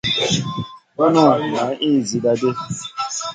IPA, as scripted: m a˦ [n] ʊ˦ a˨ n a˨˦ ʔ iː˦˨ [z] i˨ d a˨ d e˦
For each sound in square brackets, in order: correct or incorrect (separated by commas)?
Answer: correct, correct